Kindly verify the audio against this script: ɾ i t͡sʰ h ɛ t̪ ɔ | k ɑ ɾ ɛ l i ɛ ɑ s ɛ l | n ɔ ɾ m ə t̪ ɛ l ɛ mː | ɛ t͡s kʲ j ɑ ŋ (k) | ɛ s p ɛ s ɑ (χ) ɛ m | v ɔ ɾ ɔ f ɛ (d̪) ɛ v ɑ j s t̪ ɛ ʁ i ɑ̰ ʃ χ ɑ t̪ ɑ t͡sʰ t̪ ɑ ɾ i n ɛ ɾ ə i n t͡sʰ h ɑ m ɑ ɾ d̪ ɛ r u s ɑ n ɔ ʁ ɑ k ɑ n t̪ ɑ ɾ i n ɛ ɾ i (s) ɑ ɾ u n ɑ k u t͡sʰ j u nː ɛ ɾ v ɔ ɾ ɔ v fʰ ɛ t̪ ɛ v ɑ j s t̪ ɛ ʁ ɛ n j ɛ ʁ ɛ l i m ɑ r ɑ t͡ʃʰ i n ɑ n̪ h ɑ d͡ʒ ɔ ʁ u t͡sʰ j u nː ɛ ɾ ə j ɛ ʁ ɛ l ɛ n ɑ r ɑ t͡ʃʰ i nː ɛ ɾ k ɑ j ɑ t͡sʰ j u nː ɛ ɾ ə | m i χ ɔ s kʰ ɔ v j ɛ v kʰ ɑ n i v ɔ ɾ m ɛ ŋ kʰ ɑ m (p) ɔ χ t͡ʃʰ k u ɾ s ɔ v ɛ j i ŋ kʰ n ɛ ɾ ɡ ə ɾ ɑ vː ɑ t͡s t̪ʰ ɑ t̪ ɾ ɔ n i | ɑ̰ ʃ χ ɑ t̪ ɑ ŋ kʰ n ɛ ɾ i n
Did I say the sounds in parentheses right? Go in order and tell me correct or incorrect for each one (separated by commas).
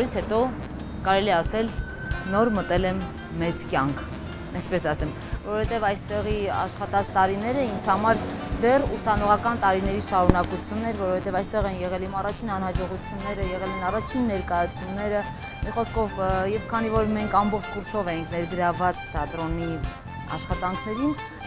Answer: incorrect, incorrect, incorrect, incorrect, incorrect